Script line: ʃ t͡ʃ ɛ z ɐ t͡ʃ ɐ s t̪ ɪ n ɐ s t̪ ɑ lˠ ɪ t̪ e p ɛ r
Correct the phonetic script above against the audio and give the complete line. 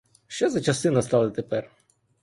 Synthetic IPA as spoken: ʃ t͡ʃ ɛ z ɐ t͡ʃ ɐ s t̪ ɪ n ɐ s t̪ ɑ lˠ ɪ t̪ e p ɛ r